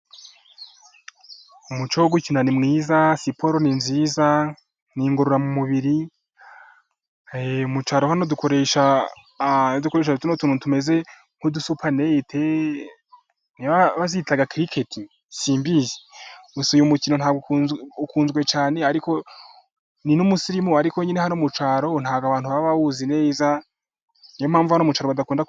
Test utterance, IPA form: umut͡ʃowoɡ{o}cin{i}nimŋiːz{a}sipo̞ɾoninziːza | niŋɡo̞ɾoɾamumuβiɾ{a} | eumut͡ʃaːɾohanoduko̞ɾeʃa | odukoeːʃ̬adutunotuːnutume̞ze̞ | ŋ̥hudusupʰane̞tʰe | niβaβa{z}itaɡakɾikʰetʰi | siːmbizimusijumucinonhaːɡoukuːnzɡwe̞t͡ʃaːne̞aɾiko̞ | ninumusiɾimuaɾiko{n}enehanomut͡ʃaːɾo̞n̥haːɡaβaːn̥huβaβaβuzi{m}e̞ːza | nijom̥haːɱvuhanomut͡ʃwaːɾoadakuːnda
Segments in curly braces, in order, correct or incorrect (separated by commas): incorrect, incorrect, correct, incorrect, correct, incorrect, incorrect